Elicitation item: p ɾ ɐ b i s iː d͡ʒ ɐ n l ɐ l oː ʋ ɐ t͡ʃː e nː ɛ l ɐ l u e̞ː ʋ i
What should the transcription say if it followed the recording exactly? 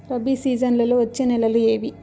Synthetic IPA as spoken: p ɾ ɐ b i s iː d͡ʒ ɐ n l ɐ l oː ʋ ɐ t͡ʃː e n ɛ l ɐ l u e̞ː ʋ i

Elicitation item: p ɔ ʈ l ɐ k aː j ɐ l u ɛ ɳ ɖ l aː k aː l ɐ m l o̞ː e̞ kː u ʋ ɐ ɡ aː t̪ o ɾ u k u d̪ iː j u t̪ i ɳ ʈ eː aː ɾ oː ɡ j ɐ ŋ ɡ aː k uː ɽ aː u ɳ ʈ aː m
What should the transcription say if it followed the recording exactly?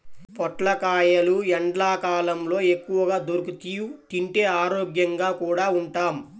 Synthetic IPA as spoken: p ɔ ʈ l ɐ k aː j ɐ l u ɛ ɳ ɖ l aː k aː l ɐ m l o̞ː e̞ kː u ʋ ɐ ɡ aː d̪ o ɾ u k u t̪ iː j u t̪ i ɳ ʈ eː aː ɾ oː ɡ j ɐ ŋ ɡ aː k uː ɽ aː u ɳ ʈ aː m

